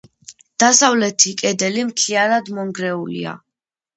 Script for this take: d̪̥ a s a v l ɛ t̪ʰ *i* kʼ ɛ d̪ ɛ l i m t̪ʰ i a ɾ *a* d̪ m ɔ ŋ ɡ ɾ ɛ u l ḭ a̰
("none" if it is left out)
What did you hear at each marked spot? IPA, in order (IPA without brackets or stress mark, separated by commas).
i, a